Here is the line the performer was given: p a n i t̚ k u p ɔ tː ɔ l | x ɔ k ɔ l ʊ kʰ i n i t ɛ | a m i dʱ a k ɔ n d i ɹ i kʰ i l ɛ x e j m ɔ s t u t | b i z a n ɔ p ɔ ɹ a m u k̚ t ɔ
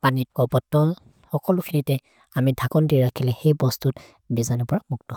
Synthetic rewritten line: p a n i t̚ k ɔ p ɔ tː ɔ l | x ɔ k ɔ l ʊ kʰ i n i t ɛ | a m i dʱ a k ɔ n d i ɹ a kʰ i l ɛ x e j b ɔ s t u t | b i z a n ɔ p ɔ ɹ a m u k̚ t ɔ